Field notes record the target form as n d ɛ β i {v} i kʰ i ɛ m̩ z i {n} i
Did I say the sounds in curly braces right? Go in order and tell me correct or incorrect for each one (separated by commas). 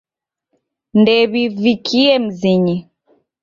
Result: correct, incorrect